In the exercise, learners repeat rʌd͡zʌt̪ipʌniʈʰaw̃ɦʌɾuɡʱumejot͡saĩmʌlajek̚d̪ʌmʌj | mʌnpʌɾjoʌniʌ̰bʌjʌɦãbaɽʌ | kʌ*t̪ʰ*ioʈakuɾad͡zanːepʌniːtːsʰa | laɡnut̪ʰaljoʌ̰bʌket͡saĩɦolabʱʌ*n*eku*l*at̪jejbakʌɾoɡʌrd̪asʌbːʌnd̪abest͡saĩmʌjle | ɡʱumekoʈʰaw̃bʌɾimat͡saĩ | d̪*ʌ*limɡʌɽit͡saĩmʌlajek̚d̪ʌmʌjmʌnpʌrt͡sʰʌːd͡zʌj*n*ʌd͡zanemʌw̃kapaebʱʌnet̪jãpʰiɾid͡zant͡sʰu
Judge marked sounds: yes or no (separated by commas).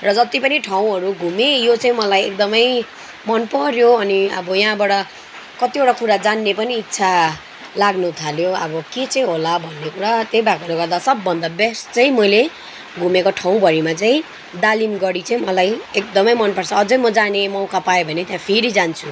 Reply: no, no, no, no, no